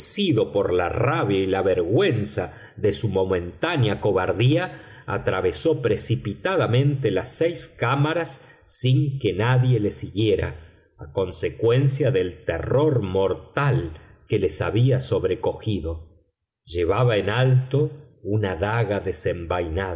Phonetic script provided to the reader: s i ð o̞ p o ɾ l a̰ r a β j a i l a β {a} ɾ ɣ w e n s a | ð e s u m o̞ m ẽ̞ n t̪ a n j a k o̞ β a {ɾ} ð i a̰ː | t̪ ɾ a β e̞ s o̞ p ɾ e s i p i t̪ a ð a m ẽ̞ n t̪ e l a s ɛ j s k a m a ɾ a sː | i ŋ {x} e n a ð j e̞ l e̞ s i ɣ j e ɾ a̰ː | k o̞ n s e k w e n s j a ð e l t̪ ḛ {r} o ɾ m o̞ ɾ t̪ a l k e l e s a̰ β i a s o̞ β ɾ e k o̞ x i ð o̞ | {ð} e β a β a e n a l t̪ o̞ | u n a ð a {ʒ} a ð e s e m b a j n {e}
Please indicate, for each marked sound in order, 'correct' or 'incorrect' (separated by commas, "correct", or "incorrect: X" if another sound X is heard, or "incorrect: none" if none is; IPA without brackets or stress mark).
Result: incorrect: e, correct, incorrect: k, correct, incorrect: ʒ, incorrect: ɣ, incorrect: a